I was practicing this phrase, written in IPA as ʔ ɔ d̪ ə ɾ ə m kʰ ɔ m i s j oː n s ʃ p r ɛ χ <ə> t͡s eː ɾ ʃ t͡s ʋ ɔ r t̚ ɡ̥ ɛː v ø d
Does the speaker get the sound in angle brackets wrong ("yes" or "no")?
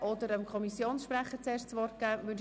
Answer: no